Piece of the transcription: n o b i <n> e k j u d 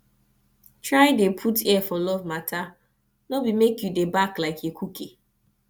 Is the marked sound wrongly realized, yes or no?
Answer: yes